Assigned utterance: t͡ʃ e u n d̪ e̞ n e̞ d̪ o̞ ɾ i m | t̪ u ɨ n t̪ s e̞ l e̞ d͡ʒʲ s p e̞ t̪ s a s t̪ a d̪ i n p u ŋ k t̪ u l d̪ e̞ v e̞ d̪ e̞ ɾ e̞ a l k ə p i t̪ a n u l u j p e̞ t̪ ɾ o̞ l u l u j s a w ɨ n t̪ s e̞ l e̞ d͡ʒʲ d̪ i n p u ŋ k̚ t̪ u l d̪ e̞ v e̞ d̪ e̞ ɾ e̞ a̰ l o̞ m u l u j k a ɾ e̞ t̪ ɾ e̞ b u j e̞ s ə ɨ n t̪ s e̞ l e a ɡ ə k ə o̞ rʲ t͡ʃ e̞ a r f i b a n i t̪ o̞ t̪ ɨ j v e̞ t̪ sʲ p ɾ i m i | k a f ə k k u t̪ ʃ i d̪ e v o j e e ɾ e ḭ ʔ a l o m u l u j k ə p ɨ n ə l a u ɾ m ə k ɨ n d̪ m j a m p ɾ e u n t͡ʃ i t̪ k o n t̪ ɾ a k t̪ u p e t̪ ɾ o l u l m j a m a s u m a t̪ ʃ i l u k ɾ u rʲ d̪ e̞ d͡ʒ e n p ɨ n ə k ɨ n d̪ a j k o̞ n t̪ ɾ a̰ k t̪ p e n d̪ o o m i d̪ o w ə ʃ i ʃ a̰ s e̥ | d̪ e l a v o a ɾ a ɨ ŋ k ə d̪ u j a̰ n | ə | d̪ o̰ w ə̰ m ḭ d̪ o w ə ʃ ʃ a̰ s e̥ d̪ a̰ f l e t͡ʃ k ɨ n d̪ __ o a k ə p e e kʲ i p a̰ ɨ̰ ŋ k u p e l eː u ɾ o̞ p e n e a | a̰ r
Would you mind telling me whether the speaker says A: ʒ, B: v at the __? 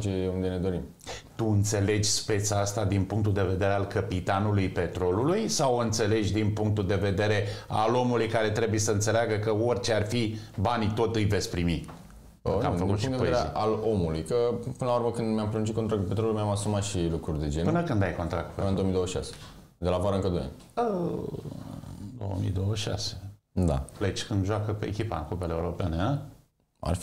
A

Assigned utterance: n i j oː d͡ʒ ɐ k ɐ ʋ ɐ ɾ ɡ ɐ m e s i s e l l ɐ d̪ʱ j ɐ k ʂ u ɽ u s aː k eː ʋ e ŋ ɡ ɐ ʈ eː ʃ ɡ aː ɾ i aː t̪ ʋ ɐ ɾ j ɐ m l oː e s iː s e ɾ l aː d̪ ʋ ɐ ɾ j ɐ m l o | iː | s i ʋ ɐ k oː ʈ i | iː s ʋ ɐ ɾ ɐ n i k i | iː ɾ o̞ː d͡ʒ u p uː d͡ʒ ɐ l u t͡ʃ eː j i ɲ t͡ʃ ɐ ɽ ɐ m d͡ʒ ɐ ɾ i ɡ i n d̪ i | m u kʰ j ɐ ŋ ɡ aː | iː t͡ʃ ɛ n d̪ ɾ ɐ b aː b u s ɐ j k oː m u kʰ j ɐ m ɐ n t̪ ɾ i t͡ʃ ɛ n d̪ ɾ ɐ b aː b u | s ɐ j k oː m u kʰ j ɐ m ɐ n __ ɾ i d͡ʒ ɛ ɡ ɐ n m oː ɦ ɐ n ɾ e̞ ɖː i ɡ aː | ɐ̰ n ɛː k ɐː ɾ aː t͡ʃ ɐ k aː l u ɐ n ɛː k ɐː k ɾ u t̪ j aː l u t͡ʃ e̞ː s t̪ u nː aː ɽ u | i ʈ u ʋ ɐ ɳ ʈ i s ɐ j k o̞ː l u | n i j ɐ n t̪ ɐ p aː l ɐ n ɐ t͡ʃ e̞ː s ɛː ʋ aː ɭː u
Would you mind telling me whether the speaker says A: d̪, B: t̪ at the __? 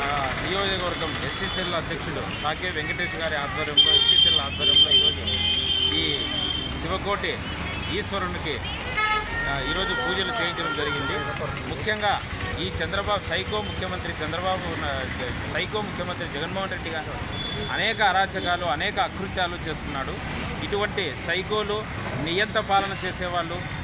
B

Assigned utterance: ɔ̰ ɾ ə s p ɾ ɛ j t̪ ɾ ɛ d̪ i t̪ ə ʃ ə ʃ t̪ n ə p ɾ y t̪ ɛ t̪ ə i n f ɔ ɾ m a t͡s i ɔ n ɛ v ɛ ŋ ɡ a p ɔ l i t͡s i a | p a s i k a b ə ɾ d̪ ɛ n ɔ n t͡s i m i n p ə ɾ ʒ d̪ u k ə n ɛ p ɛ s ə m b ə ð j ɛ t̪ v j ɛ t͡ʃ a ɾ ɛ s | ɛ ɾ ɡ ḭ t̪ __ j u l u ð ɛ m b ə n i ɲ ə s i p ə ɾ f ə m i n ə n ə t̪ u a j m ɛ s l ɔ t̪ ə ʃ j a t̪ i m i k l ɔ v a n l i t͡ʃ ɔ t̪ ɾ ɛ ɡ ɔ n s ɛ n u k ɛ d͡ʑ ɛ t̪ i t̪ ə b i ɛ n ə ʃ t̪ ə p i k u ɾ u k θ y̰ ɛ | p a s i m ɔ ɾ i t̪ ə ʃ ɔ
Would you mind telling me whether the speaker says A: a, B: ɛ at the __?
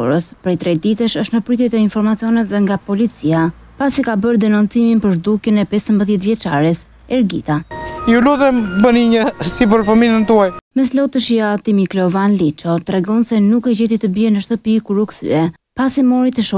A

